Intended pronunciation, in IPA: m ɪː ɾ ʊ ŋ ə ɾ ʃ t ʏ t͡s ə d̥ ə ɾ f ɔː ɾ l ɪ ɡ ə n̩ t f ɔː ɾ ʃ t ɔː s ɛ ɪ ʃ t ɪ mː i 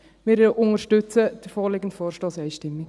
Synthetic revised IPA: m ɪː ɾ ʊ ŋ ə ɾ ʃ t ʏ t͡s ə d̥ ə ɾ f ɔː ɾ l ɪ ɡ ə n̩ t f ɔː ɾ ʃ t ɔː s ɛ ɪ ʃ t ɪ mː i